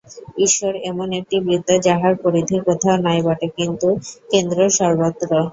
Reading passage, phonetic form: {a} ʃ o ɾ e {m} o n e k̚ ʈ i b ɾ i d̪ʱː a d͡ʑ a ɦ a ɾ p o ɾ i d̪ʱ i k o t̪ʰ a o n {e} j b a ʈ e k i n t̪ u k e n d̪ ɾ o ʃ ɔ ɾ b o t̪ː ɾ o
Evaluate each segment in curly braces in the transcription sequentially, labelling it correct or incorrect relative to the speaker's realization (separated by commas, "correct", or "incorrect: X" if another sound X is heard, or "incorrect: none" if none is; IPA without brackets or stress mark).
incorrect: i, correct, incorrect: a